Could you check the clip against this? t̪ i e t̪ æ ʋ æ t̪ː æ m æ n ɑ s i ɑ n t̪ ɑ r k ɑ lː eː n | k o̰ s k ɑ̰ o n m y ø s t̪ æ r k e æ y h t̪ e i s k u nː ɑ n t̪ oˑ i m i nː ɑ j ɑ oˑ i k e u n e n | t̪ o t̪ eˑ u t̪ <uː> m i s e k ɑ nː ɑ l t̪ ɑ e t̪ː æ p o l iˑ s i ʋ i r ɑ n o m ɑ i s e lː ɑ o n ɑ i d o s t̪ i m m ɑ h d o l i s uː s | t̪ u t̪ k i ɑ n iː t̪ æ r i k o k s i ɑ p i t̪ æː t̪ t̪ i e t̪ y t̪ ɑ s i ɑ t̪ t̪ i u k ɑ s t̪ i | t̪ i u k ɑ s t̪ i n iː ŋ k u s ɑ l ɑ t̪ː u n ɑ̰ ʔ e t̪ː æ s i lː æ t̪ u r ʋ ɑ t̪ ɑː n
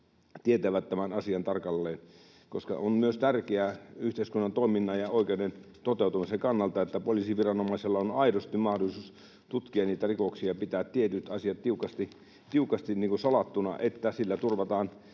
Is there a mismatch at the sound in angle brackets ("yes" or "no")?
yes